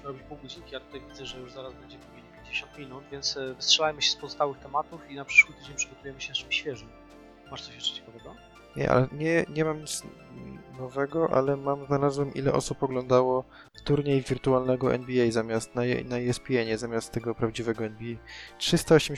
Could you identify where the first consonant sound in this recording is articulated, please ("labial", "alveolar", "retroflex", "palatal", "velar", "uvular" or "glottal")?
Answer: alveolar